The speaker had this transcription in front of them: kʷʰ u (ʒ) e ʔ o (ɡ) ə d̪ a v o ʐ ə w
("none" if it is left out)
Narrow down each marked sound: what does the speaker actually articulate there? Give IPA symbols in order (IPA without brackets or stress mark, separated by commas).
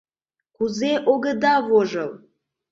z, ɡ